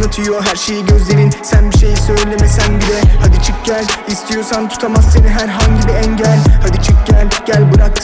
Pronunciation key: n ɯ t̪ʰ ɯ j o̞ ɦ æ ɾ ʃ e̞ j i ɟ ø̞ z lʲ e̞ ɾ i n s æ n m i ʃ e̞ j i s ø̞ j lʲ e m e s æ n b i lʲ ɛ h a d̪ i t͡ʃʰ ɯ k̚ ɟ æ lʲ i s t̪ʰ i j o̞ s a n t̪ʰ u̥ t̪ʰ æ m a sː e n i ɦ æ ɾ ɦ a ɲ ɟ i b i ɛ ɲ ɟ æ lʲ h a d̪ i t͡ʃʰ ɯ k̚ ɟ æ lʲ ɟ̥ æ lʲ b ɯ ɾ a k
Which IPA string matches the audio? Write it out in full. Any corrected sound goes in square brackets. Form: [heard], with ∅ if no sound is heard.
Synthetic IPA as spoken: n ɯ t̪ʰ ɯ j o̞ ɦ æ ɾ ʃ e̞ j i ɟ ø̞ z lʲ e̞ ɾ i n s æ n [b] i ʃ e̞ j i s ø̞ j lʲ e m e s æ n b i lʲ ɛ h a d̪ i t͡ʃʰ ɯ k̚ ɟ æ lʲ i s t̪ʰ i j o̞ s a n t̪ʰ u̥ t̪ʰ [a] m a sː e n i ɦ æ ɾ ɦ a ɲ ɟ i b i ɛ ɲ ɟ æ lʲ h a d̪ i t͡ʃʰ ɯ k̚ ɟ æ lʲ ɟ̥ æ lʲ b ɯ ɾ a k